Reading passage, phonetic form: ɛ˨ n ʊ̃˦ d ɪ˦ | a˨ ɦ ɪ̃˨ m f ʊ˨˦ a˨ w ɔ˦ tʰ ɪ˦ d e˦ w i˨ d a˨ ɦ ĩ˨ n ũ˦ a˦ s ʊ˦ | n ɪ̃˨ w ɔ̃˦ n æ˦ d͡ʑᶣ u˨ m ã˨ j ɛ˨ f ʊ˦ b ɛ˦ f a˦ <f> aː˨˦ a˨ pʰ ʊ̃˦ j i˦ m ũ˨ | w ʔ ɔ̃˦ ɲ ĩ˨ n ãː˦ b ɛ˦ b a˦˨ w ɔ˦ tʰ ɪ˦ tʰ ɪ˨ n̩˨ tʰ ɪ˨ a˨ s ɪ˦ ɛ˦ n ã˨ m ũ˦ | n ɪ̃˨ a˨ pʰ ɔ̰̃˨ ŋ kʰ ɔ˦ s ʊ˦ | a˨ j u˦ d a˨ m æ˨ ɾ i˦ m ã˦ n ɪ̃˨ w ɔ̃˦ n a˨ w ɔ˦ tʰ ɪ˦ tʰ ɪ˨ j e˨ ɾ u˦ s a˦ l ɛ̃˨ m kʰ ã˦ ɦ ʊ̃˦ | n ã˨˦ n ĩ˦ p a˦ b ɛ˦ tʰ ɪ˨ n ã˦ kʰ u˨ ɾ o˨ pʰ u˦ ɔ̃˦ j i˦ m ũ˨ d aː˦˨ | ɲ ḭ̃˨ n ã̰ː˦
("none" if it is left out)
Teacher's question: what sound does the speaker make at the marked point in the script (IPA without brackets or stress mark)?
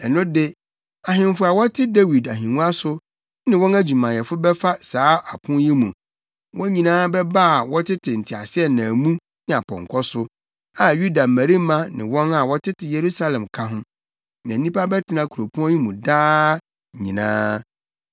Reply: s